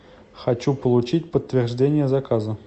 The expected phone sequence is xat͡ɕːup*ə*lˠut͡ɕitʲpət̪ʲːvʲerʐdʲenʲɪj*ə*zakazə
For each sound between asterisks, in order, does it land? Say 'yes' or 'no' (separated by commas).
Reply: yes, yes